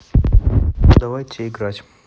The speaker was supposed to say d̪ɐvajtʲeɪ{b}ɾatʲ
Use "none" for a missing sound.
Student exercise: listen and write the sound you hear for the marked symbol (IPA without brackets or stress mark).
ɡ